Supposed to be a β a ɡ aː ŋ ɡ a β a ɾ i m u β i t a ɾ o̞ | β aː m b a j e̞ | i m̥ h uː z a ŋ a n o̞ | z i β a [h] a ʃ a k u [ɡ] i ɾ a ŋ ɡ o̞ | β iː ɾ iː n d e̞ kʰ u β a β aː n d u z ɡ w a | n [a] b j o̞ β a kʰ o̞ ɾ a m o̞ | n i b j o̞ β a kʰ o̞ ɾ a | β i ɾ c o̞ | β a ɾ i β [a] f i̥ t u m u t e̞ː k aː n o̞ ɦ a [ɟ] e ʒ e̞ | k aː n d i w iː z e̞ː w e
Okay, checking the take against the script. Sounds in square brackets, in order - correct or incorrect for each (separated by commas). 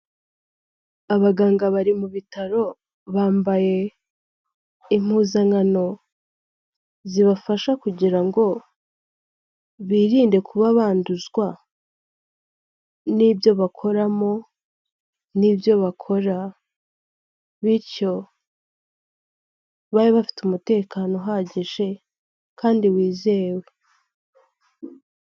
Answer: incorrect, incorrect, incorrect, correct, correct